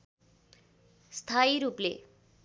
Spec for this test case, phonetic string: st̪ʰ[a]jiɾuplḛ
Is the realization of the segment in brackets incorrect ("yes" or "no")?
no